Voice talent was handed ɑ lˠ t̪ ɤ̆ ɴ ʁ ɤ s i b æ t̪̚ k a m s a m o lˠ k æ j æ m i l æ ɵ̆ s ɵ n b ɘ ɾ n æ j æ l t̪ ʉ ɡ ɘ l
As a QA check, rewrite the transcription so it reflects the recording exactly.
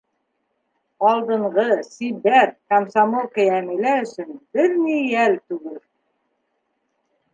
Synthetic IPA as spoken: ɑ lˠ d̪ ɤ̆ ɴ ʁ ɤ s i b æ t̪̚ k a m s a m o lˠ k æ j æ m i l æ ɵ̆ s ɵ n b ɘ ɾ n i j æ l t̪ ʉ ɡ ɘ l